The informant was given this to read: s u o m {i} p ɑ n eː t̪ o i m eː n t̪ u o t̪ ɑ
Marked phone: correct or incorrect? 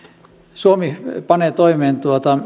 correct